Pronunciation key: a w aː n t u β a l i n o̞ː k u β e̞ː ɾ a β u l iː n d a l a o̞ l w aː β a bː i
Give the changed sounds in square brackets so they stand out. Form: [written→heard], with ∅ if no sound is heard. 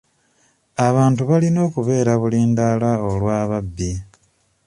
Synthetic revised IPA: a [w→β] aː n t u β a l i n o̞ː k u β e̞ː ɾ a β u l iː n d a l a o̞ l w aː β a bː i